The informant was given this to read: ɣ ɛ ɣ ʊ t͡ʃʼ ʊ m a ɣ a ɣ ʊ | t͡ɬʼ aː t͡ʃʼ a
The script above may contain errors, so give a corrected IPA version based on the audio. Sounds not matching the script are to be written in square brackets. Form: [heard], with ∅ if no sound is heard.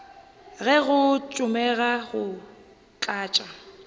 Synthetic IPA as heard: ɣ ɛ ɣ ʊ t͡ʃʼ ʊ m [ɛ] ɣ a ɣ ʊ | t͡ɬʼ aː t͡ʃʼ a